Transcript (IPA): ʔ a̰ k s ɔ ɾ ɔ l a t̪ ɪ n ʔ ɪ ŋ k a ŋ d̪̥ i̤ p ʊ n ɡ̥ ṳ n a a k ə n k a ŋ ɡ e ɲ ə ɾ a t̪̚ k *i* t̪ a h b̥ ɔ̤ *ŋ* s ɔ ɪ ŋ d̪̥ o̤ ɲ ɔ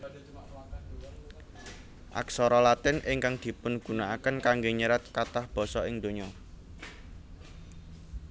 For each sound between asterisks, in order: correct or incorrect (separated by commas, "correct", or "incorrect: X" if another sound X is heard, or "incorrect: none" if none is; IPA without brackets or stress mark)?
incorrect: a, incorrect: none